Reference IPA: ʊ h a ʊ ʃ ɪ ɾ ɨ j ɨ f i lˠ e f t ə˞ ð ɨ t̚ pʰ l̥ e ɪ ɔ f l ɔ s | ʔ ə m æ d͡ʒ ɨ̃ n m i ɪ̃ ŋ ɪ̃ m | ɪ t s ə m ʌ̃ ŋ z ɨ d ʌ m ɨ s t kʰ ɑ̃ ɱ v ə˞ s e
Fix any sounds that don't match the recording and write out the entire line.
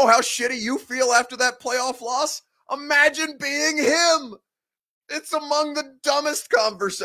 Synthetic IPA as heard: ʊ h a ʊ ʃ ɪ ɾ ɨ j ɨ f i lˠ æ f t ə˞ ð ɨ t̚ pʰ l̥ e ɪ ɔ f l ɔ s | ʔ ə m æ d͡ʒ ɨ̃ n b i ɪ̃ ŋ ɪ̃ m | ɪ t s ə m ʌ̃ ŋ ð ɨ d ʌ m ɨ s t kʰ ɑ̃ ɱ v ə˞ s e